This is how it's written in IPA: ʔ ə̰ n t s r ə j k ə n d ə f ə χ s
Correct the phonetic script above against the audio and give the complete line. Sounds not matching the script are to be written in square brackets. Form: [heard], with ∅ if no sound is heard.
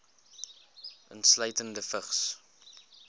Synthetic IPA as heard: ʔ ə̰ n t s [l] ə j [t] ə n d ə f ə χ s